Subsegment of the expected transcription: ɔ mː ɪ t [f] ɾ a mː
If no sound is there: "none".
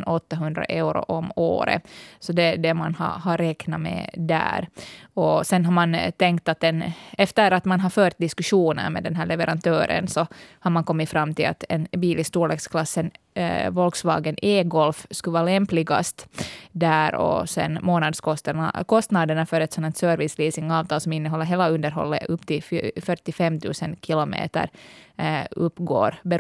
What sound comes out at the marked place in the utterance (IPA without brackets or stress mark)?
f